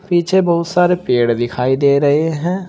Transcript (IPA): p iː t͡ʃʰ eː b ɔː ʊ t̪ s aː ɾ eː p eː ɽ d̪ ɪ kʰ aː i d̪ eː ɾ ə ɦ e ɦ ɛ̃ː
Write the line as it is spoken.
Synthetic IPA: p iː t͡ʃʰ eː b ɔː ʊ t̪ s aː ɾ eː p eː ɽ d̪ ɪ kʰ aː i d̪ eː ɾ ə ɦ e ɦ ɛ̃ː

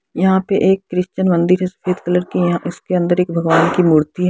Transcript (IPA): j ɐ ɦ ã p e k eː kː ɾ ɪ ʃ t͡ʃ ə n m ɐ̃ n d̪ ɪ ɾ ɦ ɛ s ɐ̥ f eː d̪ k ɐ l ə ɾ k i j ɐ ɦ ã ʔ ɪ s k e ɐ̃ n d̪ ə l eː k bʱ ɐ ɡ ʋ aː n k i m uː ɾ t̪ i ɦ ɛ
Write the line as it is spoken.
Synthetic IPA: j ɐ ɦ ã p e ʔ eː kː ɾ ɪ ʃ t͡ʃ ə n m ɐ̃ n d̪ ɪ ɾ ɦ ɛ s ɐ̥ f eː d̪ k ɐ l ə ɾ k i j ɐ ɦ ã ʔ ɪ s k e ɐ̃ n d̪ ə ɾ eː k bʱ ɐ ɡ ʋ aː n k i m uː ɾ t̪ i ɦ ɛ

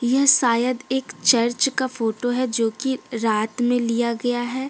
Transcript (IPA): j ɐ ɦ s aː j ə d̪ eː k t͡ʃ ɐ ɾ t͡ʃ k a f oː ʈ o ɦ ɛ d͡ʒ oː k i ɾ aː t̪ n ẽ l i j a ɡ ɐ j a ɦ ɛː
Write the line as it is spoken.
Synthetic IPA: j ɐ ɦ s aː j ə d̪ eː k t͡ʃ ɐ ɾ t͡ʃ k a f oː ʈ o ɦ ɛ d͡ʒ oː k i ɾ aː t̪ m ẽ l i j a ɡ ɐ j a ɦ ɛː

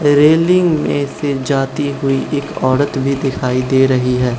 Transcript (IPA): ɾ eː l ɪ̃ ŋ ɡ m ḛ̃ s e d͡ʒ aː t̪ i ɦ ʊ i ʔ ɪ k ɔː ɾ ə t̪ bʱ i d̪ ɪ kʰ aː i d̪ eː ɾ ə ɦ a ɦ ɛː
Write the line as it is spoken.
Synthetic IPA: ɾ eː l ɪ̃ ŋ ɡ m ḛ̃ s e d͡ʒ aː t̪ i ɦ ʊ i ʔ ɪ k ɔː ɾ ə t̪ bʱ i d̪ ɪ kʰ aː i d̪ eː ɾ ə ɦ i ɦ ɛː

